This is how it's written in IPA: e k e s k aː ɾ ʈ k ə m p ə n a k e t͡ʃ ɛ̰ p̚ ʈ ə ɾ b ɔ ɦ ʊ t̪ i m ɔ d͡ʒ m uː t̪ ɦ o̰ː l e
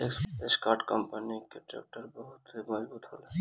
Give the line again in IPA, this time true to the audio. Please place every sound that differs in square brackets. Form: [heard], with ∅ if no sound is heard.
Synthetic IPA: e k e s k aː ɾ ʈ k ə m p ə n [i] k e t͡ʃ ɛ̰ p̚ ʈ ə ɾ b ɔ ɦ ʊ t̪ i m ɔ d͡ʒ [b] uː t̪ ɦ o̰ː l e

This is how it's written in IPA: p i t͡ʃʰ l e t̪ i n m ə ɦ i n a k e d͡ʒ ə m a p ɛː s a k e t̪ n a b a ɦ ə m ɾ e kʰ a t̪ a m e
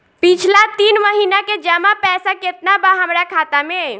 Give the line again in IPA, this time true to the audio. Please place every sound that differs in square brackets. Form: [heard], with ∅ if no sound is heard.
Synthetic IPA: p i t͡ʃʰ l [a] t̪ i n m ə ɦ i n a k e d͡ʒ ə m a p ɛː s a k e t̪ n a b a ɦ ə m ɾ [a] kʰ a t̪ a m e

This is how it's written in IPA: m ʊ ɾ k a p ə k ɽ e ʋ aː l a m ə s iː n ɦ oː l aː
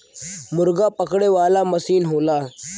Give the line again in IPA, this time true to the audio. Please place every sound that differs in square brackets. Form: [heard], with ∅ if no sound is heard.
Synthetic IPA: m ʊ ɾ [ɡ] a p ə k ɽ e ʋ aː l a m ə s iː n ɦ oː l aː

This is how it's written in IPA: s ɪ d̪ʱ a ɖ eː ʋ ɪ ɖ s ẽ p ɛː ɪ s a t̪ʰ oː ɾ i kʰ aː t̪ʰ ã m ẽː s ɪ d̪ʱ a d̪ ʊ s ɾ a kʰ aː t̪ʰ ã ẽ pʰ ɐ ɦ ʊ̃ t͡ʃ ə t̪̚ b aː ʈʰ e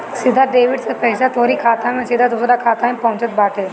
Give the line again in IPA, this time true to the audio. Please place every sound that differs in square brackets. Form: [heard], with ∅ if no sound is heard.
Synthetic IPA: s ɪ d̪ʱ a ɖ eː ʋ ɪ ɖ s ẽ p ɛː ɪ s a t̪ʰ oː ɾ i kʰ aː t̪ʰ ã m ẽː s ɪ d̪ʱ a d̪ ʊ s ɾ a kʰ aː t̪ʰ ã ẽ [p] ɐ ɦ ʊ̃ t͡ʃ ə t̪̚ b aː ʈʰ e

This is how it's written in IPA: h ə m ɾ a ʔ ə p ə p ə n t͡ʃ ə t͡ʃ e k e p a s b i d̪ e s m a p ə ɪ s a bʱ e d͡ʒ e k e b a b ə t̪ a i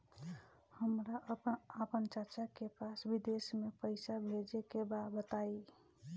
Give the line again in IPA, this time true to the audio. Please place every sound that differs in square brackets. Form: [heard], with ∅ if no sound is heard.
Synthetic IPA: h ə m ɾ a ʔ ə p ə p ə n t͡ʃ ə t͡ʃ [a] k e p a s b i d̪ e s m [e] p ə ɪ s a bʱ e d͡ʒ e k e b a b ə t̪ a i

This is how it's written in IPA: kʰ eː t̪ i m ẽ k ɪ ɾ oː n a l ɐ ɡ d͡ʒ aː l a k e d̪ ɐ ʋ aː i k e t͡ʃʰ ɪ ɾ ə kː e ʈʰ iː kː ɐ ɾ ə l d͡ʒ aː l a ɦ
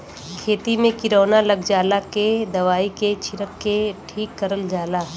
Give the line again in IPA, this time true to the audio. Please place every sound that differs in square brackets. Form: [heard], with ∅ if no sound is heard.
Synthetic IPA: kʰ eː t̪ i m ẽ k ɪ ɾ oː n a l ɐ ɡ d͡ʒ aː l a k e d̪ ɐ ʋ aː i k e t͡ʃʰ ɪ ɾ ə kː e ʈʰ iː kː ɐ ɾ ə l d͡ʒ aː l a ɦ

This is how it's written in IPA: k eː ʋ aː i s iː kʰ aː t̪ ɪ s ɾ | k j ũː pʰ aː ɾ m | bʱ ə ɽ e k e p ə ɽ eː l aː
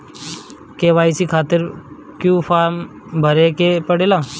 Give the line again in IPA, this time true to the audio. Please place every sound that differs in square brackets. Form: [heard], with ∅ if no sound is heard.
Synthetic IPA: k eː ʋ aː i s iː kʰ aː t̪ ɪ [∅] ɾ | k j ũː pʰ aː ɾ m | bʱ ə [ɾ] e k e p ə ɽ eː l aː

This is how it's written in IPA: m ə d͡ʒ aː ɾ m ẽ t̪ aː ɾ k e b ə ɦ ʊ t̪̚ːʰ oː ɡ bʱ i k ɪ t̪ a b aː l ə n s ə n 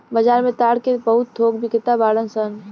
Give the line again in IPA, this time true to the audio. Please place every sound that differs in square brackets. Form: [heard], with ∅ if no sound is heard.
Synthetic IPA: [b] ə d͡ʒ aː ɾ m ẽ t̪ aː [ɽ] k e b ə ɦ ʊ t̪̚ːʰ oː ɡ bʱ i k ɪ t̪ a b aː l ə n s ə n

